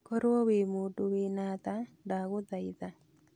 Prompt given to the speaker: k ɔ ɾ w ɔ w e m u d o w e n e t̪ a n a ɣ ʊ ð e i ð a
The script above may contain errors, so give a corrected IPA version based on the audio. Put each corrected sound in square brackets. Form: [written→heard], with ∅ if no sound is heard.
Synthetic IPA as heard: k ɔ ɾ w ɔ w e m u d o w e n [e→a] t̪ a [n→d] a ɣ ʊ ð [e→a] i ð a